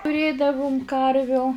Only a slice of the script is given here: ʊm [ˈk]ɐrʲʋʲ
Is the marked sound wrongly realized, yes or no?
no